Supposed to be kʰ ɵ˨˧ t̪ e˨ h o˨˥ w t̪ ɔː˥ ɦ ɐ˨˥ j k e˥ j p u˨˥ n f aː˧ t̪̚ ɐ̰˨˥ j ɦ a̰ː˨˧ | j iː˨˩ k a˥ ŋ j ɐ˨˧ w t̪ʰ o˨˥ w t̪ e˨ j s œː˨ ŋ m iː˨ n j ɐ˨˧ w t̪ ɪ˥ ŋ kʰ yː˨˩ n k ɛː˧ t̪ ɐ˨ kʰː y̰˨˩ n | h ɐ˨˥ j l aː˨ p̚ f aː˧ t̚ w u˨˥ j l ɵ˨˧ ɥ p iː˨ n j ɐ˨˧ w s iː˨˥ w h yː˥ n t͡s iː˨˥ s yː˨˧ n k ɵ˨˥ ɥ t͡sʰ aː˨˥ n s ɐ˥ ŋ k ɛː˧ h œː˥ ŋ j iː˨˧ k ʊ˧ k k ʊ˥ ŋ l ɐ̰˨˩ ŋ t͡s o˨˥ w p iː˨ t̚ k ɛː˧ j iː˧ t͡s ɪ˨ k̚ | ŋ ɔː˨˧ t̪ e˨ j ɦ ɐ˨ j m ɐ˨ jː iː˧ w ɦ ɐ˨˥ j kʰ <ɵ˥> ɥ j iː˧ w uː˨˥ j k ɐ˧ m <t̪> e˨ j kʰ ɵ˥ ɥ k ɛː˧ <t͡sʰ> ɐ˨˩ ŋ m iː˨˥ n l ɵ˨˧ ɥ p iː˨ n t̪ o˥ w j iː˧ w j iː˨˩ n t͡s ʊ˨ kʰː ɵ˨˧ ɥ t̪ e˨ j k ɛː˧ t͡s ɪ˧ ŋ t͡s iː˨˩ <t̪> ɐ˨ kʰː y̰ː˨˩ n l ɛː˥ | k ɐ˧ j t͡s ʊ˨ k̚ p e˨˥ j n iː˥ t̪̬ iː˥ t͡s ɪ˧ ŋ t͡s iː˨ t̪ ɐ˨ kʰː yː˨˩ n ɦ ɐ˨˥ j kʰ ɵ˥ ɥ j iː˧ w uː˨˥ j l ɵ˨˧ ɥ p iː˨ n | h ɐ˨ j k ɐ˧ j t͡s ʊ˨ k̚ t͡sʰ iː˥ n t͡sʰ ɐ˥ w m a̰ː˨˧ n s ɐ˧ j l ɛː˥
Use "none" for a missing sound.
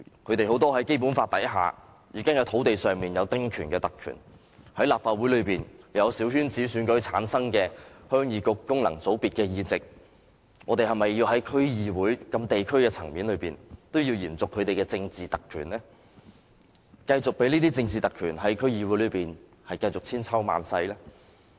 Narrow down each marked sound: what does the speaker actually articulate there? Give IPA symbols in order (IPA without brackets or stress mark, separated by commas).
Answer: ɵ˥, t̪, t͡sʰ, t̪